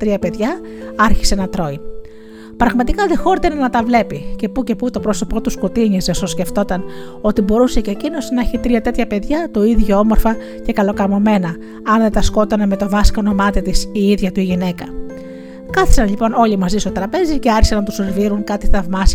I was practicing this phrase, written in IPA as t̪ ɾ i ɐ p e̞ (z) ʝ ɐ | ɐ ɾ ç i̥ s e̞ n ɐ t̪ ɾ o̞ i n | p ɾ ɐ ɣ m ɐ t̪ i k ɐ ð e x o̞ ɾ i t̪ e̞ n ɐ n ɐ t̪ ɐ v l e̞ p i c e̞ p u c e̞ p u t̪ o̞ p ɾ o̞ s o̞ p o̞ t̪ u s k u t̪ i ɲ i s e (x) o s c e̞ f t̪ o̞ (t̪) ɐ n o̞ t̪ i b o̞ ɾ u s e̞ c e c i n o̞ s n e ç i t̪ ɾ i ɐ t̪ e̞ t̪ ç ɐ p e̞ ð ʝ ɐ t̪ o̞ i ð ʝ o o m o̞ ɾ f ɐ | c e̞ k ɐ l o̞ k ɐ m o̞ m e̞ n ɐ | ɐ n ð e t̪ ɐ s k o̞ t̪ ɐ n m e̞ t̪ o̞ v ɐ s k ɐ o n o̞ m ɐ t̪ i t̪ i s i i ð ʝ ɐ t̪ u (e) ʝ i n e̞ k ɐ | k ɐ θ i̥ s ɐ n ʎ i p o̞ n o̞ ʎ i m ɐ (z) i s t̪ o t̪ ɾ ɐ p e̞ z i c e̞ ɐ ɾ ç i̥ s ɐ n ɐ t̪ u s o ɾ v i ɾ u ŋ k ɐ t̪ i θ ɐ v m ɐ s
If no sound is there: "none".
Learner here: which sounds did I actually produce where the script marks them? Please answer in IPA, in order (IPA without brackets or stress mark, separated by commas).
ð, s, t̪, i, z